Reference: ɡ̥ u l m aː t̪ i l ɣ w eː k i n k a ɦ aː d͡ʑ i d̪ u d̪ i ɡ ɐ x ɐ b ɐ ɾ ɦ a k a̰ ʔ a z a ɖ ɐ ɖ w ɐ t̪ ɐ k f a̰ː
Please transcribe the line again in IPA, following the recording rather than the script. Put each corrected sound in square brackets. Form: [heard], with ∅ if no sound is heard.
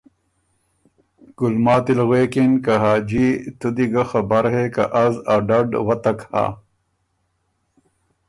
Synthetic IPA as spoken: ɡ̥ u l m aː t̪ i l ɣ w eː k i n k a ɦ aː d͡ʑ i [t̪] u d̪ i ɡ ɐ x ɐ b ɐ ɾ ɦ [e] k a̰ ʔ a z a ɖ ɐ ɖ w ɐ t̪ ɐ k [h] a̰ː

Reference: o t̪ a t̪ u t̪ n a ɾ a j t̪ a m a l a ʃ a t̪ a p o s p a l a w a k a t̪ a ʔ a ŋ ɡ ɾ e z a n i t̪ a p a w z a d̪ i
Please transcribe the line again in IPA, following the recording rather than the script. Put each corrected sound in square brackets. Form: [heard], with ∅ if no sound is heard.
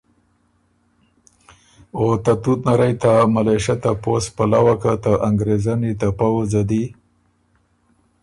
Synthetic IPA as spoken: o t̪ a t̪ u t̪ n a ɾ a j t̪ a m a l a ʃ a t̪ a p o s p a l a w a k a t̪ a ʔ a ŋ ɡ ɾ e z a n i t̪ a p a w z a d̪ i

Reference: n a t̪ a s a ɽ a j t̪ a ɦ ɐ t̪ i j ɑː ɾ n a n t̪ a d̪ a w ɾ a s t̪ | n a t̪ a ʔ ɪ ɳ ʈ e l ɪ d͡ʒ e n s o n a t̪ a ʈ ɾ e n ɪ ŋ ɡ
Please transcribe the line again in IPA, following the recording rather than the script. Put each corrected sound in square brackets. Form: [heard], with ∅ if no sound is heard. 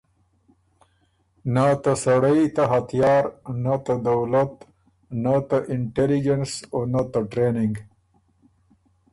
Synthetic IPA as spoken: n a t̪ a s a ɽ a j t̪ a ɦ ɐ t̪ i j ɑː ɾ n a [∅] t̪ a d̪ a w [l] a [∅] t̪ | n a t̪ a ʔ ɪ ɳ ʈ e l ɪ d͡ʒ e n s o n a t̪ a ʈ ɾ e n ɪ ŋ ɡ

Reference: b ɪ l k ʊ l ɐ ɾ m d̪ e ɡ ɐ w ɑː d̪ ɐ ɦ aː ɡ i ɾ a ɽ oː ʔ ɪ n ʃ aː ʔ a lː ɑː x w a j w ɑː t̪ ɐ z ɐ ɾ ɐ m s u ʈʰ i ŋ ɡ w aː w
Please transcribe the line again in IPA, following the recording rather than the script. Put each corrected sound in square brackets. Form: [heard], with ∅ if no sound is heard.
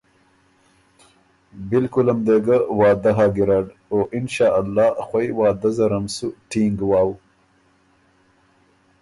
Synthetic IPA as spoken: b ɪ l k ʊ l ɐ [∅] m d̪ e ɡ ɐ w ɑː d̪ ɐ ɦ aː ɡ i ɾ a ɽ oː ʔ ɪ n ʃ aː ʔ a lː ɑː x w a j w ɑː [d̪] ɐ z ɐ ɾ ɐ m s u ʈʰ i ŋ ɡ w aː w

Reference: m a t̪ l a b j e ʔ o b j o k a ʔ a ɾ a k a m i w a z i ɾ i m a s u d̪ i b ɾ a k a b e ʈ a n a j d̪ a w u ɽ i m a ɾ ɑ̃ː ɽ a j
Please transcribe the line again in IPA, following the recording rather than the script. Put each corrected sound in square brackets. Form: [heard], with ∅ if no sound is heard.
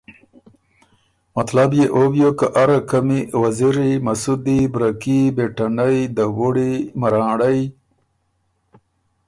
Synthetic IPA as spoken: m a t̪ l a b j e ʔ o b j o k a ʔ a ɾ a k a m i w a z i ɾ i m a s u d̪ i b ɾ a k [i] b e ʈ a n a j d̪ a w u ɽ i m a ɾ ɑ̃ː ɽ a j

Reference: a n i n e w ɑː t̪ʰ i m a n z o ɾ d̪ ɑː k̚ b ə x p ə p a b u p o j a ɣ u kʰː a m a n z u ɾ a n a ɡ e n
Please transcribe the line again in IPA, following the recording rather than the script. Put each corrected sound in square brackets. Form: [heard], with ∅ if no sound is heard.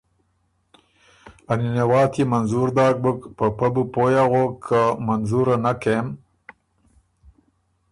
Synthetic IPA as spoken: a n i n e w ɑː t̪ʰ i m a n z [u] ɾ d̪ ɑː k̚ b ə [k] p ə p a b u p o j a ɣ [o] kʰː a m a n z u ɾ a n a [k] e [m]

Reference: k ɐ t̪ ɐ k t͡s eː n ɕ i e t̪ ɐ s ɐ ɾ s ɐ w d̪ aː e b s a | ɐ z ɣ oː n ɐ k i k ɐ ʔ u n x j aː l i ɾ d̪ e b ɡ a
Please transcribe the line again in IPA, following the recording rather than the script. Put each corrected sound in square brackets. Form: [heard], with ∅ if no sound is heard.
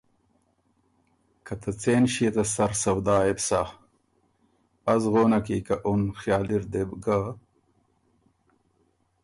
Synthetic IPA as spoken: k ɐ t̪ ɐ [∅] t͡s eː n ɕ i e t̪ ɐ s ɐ ɾ s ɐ w d̪ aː e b s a | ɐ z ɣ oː n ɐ k i k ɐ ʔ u n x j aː l i ɾ d̪ e b ɡ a

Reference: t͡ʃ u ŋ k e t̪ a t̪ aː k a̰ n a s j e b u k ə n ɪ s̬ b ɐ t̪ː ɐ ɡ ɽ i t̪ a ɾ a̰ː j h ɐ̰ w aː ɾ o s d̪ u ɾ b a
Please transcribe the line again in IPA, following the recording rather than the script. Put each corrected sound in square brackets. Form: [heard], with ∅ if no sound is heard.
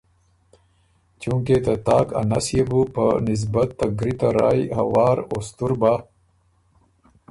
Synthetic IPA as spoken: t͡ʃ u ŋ k e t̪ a t̪ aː k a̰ n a s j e b u [p] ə n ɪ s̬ b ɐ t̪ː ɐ ɡ [ɾ] i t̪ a ɾ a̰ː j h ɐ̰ w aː ɾ o s [t̪] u ɾ b a

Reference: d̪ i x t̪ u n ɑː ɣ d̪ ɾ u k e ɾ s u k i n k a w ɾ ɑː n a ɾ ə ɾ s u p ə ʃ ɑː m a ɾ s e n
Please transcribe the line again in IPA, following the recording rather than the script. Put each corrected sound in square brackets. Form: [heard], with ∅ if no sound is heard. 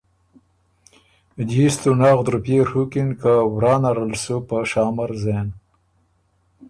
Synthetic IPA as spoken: d̪ i [s] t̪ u n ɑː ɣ d̪ ɾ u [p] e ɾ [h] u k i n k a w ɾ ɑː n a ɾ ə [l] s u p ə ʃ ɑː m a ɾ [z] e n

